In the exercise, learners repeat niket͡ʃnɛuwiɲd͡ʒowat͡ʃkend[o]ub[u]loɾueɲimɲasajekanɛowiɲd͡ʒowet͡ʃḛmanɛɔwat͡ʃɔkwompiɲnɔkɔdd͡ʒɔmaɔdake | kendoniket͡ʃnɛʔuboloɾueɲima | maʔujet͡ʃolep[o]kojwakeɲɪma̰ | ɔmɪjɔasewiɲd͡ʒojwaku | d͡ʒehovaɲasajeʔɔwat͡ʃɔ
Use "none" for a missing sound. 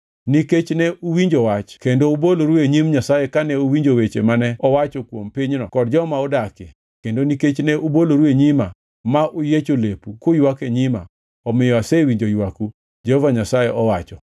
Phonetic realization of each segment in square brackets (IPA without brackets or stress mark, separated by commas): o, o, u